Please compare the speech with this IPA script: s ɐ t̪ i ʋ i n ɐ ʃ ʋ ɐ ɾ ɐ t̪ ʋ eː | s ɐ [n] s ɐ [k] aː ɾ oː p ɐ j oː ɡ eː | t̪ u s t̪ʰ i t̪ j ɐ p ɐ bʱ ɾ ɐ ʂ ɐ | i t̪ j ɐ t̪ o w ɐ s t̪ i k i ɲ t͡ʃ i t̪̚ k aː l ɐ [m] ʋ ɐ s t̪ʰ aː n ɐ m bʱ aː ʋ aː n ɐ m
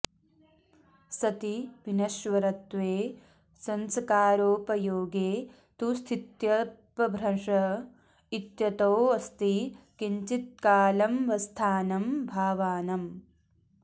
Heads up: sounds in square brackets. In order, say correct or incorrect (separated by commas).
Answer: correct, correct, correct